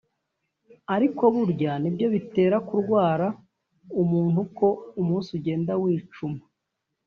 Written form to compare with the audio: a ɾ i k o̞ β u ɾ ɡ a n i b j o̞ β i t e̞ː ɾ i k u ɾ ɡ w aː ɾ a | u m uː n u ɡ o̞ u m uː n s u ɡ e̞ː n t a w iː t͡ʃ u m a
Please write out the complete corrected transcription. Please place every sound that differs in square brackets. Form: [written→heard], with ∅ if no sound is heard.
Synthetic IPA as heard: a ɾ i k o̞ β u ɾ [ɡ→ɟ] a n i b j o̞ β i t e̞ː ɾ [i→a] k u ɾ ɡ w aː ɾ a | u m uː n u [ɡ→k] o̞ u m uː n s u [ɡ→ɟ] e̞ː n [t→d] a w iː t͡ʃ u m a